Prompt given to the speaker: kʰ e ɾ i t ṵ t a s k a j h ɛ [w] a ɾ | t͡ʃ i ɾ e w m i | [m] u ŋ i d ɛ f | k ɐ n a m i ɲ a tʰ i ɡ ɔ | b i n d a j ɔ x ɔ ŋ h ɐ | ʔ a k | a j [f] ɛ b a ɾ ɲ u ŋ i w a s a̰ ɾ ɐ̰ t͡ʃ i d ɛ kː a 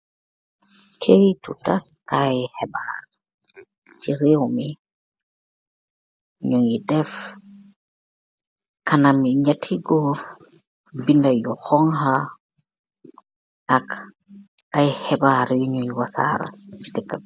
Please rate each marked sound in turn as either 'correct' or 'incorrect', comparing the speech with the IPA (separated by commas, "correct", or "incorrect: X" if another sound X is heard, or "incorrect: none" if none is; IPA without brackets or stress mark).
incorrect: b, incorrect: ɲ, incorrect: h